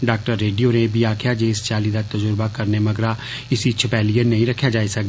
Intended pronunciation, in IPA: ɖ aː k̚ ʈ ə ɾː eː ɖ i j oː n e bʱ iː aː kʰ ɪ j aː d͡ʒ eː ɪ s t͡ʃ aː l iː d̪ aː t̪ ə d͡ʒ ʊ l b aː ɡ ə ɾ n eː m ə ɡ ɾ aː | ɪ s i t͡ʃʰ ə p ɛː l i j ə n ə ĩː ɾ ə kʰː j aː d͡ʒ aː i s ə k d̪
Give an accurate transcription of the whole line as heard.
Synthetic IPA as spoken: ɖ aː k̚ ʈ ə ɾː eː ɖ i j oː n e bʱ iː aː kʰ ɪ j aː d͡ʒ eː ɪ s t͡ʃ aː l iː d̪ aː t̪ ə d͡ʒ ʊ ɾ b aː k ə ɾ n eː m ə ɡ ɾ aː | ɪ s i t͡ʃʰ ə p ɛː l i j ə n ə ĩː ɾ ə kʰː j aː d͡ʒ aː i s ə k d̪